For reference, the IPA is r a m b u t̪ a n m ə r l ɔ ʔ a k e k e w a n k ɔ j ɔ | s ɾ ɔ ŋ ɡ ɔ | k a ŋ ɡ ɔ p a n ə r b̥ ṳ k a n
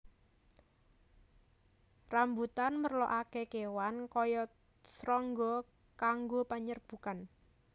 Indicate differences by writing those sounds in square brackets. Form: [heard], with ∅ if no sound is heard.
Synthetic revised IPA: r a m b u t̪ a n m ə r l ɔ ʔ a k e k e w a n k ɔ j ɔ | s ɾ ɔ ŋ ɡ ɔ | k a ŋ ɡ [o] p a [ɲ] ə r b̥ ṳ k a n